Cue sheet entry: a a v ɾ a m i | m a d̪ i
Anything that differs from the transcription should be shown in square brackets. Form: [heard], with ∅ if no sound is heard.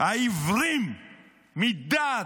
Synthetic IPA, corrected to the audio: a [i] v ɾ [i] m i | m [i] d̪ [a]